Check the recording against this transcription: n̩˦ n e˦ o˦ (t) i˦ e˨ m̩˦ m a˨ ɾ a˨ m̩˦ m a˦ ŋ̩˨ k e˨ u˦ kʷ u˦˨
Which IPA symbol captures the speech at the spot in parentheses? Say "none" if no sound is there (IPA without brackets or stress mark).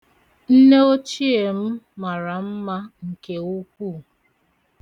t͡ʃ